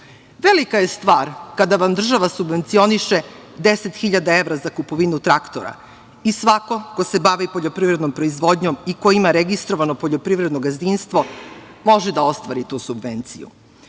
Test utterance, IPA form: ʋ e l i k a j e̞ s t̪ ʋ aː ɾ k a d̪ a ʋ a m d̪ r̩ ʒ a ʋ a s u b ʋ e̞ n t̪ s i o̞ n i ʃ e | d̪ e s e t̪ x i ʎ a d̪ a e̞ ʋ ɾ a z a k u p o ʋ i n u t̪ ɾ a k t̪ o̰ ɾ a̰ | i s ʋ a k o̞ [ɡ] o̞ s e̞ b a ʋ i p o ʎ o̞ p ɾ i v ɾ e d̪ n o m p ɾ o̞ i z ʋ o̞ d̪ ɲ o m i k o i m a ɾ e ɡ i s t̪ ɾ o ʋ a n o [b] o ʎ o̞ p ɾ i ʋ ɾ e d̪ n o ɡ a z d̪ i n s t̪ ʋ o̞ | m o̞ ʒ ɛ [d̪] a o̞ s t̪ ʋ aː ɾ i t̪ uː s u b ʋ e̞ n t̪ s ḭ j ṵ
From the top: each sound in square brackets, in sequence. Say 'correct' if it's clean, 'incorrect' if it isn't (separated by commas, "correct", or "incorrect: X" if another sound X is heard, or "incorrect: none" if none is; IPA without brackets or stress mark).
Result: incorrect: k, incorrect: p, correct